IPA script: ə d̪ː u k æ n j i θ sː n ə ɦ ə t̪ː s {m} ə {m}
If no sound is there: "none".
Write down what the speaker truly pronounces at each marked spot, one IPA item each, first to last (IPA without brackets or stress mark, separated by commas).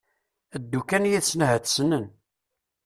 n, n